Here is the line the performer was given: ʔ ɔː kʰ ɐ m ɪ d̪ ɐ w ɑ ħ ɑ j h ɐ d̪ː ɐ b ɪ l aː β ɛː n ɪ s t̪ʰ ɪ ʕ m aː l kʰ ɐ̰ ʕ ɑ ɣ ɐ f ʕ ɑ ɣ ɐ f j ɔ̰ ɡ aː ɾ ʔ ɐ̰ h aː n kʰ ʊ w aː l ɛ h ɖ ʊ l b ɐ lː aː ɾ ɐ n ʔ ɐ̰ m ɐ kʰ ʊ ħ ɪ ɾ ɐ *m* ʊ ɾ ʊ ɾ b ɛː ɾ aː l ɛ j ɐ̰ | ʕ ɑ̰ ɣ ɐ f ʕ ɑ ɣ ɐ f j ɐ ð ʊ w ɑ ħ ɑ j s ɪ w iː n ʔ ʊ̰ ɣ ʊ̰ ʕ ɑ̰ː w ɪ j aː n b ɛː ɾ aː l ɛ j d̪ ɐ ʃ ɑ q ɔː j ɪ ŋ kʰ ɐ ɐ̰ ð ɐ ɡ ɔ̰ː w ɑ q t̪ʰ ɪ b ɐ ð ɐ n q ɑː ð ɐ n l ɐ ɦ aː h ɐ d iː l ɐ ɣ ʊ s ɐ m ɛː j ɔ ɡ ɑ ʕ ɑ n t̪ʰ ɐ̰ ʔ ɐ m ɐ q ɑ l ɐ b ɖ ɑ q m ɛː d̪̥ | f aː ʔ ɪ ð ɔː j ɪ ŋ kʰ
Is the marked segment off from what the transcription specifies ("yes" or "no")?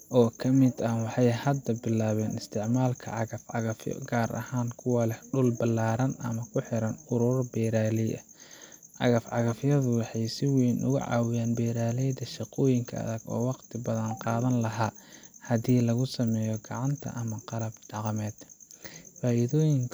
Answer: yes